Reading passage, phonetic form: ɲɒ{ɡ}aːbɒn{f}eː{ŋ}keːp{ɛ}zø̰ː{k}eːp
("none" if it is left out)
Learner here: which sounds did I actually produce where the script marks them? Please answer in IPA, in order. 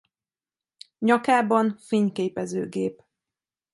k, f, ɲ, ɛ, ɡ

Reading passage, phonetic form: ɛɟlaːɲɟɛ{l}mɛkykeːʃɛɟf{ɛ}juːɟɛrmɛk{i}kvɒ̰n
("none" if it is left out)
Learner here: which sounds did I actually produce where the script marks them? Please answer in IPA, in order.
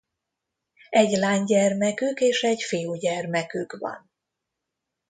r, i, y

